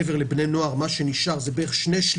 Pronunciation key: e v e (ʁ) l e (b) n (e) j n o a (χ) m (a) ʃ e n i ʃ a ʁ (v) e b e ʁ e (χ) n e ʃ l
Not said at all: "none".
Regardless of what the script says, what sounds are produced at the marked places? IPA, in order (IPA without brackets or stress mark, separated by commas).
ʁ, b, e, ʁ, a, z, ʃ